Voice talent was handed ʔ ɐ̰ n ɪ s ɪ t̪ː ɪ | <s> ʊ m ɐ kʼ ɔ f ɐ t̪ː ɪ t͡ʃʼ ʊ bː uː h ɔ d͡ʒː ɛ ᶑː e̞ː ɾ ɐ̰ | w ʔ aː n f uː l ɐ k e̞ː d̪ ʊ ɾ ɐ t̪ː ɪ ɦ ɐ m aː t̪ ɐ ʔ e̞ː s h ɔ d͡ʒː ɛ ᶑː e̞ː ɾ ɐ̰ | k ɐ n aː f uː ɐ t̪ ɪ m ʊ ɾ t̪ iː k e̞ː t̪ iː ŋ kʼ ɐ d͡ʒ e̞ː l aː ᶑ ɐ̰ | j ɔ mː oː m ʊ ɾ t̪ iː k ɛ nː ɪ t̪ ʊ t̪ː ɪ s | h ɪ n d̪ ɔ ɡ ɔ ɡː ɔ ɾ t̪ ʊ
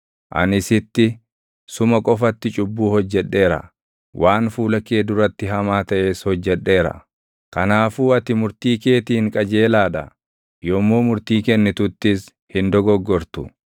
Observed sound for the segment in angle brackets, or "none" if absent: s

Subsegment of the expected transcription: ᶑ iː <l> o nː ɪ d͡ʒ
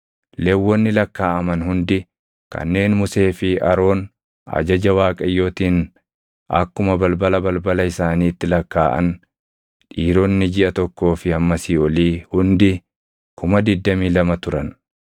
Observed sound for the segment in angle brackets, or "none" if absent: ɾ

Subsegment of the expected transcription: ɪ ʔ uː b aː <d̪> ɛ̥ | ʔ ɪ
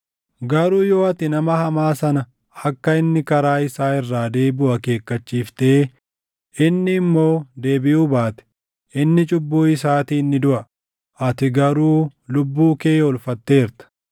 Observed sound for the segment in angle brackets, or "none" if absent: t̪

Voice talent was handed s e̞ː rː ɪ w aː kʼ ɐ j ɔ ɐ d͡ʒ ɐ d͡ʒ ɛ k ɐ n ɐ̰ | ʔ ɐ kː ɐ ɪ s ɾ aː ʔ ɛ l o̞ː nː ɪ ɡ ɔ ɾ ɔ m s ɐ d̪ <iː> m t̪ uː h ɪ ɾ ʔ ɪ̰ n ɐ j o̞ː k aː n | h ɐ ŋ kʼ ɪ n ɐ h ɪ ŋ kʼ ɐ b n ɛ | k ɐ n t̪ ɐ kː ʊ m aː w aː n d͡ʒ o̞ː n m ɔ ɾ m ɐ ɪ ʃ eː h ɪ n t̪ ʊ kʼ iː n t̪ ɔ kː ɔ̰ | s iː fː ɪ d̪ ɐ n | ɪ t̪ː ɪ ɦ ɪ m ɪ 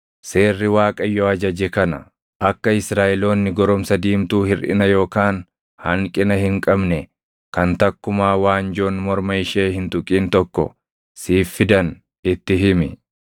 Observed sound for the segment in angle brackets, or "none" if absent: iː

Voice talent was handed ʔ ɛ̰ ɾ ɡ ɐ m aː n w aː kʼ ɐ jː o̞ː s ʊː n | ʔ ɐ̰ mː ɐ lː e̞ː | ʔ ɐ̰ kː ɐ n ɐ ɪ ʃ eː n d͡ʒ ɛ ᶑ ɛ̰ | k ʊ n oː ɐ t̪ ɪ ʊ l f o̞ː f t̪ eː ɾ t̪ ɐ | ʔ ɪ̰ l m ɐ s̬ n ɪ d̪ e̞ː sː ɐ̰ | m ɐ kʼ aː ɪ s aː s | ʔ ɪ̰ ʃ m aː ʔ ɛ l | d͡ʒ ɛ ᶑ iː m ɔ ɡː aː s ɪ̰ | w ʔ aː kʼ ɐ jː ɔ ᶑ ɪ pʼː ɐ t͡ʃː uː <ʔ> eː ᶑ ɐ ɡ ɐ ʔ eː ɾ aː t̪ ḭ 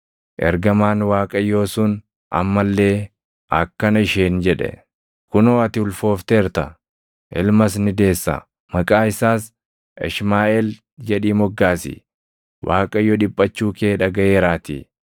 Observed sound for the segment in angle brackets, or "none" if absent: k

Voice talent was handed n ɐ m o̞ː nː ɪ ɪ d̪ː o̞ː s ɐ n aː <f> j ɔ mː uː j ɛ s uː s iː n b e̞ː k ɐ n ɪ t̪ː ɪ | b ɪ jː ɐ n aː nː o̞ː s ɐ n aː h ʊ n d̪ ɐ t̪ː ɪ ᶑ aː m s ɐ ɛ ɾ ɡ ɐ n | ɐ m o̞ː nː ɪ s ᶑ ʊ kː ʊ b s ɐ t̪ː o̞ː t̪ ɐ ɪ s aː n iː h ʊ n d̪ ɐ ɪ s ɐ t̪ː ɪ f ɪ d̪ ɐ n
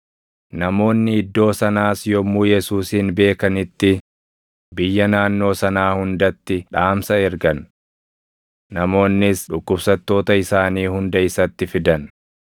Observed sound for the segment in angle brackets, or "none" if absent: s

